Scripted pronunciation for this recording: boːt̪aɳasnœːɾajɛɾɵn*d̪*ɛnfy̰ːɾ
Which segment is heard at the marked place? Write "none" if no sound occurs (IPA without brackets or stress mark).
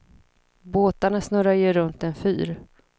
t̪